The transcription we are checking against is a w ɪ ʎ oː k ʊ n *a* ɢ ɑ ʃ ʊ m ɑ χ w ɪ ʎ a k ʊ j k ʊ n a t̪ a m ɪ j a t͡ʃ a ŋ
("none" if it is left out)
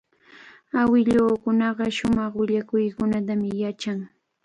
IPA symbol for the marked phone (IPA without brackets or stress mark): ɑ